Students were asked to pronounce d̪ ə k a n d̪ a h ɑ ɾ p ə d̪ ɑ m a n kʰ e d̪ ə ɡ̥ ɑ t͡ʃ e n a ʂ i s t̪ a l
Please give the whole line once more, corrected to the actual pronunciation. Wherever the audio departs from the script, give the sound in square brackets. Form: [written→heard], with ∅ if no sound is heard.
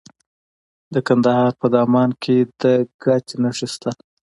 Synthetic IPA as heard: d̪ ə k a n d̪ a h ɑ ɾ p ə d̪ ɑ m [a→ɑ] n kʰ e d̪ ə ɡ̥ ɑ t͡ʃ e n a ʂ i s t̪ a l

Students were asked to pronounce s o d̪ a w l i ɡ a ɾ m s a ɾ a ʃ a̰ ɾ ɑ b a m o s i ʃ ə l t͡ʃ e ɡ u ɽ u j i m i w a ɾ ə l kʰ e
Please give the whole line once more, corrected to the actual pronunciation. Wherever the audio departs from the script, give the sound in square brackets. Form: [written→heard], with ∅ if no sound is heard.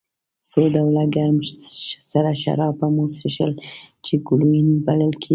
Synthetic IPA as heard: s o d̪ a w l [i→a] ɡ a ɾ m s a ɾ a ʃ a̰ ɾ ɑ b a m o s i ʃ ə l t͡ʃ e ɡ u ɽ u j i [m→n] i [w→b] a [ɾ→l] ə l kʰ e

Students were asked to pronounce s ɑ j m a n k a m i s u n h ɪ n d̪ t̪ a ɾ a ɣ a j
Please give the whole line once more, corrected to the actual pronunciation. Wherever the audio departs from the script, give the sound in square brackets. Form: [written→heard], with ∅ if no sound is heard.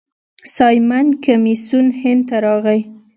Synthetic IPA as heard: s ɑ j m a n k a m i s u n h ɪ n d̪ t̪ a ɾ [a→ɑ] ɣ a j

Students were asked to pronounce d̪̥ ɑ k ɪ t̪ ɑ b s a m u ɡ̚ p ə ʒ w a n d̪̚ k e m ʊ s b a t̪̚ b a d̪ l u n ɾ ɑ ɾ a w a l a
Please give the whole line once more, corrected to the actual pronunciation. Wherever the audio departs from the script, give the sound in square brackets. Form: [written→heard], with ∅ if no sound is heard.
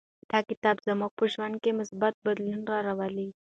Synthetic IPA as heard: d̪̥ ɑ k ɪ t̪ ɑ b [s→z] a m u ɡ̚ p ə ʒ w a n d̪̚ k e m ʊ s b a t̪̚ b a d̪ l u n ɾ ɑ ɾ a w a l [a→i]

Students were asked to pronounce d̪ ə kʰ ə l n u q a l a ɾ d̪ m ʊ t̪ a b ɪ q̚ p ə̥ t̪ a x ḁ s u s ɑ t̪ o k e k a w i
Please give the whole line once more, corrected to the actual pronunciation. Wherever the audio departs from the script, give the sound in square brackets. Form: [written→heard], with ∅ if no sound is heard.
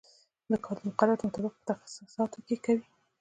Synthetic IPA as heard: d̪ ə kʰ [ə→ɑ] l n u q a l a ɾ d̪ m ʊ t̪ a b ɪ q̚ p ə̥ t̪ a x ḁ s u s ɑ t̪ o k e k a w i

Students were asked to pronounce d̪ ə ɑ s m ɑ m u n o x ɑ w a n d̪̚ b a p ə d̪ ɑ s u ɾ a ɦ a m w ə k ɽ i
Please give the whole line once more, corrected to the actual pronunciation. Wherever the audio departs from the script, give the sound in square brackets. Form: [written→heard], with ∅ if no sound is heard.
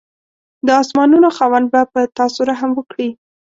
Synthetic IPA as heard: d̪ ə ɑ s m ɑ [m→n] u n o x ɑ w a n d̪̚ b a p ə [d̪→t̪] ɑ s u ɾ a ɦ a m w ə k ɽ i

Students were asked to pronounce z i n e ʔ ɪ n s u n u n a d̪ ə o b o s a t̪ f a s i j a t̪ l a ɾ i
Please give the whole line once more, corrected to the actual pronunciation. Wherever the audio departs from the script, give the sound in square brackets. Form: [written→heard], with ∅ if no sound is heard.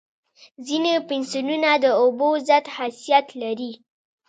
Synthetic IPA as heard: z i n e [ʔ→p] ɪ n s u n u n a d̪ ə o b o [s→z] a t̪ [f→h] a s i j a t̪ l a ɾ i

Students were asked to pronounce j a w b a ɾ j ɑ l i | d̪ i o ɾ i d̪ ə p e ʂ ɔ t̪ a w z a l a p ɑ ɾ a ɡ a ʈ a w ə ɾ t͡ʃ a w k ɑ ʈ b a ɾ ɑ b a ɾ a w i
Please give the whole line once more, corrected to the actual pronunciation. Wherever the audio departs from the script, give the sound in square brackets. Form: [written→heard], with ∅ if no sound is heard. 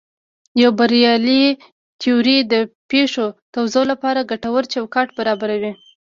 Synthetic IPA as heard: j a w b a ɾ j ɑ l i | [d̪→t̪] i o ɾ i d̪ ə p e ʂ [ɔ→o] t̪ a w z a l a p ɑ ɾ a ɡ a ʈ a w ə ɾ t͡ʃ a w k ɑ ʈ b a ɾ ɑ b a ɾ a w i

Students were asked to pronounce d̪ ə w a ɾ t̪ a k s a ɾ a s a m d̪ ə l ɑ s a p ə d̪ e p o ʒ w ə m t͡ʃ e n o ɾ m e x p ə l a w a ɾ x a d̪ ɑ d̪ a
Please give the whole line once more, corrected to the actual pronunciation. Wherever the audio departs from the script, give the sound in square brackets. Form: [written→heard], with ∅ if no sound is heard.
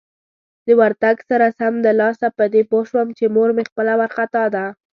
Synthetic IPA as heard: d̪ ə w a ɾ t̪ a [k→ɡ] s a ɾ a s a m d̪ ə l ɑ s a p ə d̪ e p o [ʒ→ʃ] w ə m t͡ʃ e [n→m] o ɾ m e x p ə l a w a ɾ x a [d̪→t̪] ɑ d̪ a

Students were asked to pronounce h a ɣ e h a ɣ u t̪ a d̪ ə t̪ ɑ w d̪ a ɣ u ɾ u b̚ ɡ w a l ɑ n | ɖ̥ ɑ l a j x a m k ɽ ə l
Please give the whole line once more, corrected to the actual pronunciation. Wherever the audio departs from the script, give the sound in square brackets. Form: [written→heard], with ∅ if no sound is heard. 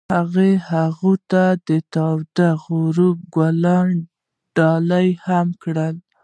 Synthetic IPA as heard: h a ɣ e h a ɣ u t̪ a d̪ ə t̪ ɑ w d̪ a ɣ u ɾ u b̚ ɡ w a l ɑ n | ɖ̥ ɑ l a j [x→h] a m k ɽ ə l

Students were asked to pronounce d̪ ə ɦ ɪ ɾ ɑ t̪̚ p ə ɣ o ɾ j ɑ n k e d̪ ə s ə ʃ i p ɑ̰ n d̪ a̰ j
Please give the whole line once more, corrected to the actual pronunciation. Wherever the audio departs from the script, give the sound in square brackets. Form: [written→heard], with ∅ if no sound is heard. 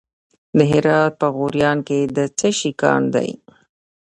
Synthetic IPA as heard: d̪ ə ɦ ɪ ɾ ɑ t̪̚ p ə ɣ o ɾ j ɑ n k e d̪ ə [s→t͡s] ə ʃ i [p→k] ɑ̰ n d̪ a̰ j

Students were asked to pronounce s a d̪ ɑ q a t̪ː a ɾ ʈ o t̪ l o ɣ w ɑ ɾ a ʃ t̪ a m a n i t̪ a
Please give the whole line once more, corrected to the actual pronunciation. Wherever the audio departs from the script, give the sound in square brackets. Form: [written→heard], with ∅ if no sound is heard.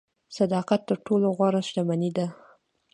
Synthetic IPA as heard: s a d̪ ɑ q a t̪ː [a→ə] ɾ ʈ o [t̪→∅] l o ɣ w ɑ ɾ a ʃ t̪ a m a n i [t̪→d̪] a

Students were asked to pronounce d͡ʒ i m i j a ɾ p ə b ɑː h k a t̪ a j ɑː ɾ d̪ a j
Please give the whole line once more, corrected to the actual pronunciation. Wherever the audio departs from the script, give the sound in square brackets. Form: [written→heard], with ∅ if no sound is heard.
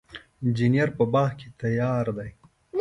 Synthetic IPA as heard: d͡ʒ i [m→n] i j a ɾ p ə b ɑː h k [a→e] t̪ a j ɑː ɾ d̪ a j

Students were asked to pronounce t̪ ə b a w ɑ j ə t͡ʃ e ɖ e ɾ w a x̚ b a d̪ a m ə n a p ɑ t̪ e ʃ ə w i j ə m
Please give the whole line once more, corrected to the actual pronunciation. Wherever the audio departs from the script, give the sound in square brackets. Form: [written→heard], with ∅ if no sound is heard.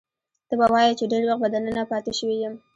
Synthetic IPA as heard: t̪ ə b a w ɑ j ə t͡ʃ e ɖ e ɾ w a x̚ b a d̪ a [m→n] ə n a p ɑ t̪ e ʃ ə w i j ə m

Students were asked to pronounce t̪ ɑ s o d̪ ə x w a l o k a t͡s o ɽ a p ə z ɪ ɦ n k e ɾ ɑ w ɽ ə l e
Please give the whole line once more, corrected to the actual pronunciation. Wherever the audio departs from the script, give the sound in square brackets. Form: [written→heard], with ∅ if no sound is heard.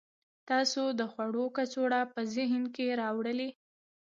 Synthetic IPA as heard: t̪ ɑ s o d̪ ə x w a [l→ɽ] o k a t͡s o ɽ a p ə z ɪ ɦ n k e ɾ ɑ w ɽ ə l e

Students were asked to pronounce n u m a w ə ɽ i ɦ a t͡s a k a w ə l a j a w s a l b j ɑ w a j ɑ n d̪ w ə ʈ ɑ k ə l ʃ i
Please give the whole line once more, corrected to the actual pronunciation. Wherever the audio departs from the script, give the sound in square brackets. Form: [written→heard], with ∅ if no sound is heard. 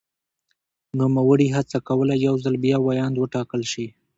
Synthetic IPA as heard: n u m a w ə ɽ i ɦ a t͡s a k a w ə l a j a w [s→z] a l b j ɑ w a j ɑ n d̪ w ə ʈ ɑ k ə l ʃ i

